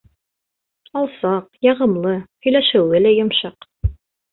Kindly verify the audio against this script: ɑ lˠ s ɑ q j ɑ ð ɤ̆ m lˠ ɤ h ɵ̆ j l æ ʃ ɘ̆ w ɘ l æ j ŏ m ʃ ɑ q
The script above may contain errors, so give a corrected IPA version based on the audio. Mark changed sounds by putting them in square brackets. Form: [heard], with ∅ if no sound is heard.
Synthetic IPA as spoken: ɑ lˠ s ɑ q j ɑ [ʁ] ɤ̆ m lˠ ɤ h ɵ̆ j l æ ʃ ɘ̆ w ɘ l æ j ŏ m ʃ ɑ q